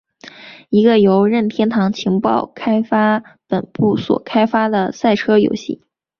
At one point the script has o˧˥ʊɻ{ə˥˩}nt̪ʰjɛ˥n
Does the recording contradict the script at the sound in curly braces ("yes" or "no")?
no